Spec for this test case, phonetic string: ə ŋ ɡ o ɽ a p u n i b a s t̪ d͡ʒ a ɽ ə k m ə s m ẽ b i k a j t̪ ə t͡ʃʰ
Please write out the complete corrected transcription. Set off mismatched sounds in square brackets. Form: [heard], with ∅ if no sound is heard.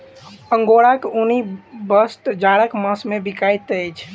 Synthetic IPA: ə ŋ ɡ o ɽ a [k] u n i b [ə] s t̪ d͡ʒ a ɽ ə k m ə s m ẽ b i k a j t̪ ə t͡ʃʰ